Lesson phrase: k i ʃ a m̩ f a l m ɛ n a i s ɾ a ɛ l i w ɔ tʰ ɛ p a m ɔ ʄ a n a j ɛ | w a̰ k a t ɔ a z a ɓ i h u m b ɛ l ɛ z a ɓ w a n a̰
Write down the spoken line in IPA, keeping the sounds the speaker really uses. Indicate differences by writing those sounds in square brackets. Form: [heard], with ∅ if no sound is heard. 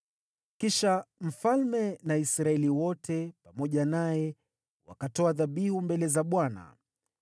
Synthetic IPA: k i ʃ a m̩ f a l m ɛ n a i s ɾ a ɛ l i w ɔ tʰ ɛ p a m ɔ ʄ a n a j ɛ | w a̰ k a t ɔ a [ð] a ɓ i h u m b ɛ l ɛ z a ɓ w a n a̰